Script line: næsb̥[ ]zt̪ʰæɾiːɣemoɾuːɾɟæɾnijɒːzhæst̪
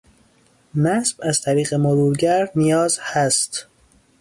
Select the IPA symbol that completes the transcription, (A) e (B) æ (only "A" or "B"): B